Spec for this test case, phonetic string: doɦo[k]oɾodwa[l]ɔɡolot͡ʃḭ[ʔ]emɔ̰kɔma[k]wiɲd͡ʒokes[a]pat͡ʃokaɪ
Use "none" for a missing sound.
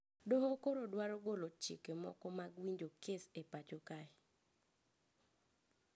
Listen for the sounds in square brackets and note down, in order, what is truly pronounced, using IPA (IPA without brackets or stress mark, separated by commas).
k, ɾ, k, ɡ, e